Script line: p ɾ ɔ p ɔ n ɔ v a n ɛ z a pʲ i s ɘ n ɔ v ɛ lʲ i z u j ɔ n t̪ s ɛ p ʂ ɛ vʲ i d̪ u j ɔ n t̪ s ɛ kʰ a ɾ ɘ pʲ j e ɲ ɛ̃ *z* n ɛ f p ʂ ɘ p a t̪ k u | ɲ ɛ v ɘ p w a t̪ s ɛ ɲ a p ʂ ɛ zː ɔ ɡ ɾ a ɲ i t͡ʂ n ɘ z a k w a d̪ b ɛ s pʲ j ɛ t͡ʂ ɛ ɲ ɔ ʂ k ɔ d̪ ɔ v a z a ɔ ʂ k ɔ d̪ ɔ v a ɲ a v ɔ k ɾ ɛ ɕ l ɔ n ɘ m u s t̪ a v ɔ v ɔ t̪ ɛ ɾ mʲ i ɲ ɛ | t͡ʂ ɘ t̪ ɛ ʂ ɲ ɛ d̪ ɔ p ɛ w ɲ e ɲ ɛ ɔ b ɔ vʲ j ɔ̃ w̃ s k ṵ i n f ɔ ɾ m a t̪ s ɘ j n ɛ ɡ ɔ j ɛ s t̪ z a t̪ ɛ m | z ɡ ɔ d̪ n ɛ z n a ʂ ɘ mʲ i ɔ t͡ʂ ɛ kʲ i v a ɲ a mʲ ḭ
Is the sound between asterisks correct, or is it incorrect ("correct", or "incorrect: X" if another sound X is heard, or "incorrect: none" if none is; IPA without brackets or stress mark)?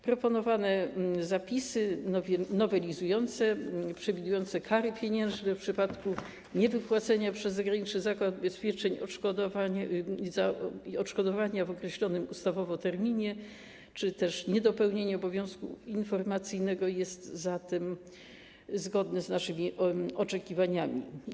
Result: incorrect: ʐ